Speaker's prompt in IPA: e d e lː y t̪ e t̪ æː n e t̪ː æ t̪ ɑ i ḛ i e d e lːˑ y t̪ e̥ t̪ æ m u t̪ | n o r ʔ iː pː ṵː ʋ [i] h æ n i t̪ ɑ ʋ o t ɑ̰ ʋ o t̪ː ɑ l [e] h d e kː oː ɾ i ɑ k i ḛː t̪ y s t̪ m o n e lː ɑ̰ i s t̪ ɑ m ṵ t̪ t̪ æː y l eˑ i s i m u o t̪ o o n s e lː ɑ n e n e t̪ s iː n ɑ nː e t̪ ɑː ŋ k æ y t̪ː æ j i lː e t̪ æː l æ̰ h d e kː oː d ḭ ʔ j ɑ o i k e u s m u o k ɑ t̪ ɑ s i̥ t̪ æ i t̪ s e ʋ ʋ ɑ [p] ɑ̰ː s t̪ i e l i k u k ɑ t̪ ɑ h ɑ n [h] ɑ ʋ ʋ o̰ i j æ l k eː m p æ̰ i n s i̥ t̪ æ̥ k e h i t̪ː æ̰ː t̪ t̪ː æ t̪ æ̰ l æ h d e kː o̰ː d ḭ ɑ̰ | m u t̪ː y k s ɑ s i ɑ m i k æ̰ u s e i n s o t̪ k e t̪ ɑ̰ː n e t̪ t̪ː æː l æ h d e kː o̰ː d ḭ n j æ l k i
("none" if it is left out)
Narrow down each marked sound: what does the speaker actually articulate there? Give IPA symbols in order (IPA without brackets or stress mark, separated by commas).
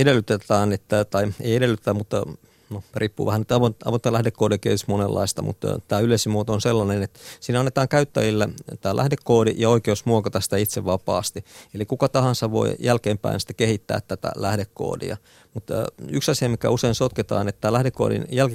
æ, æ, p, s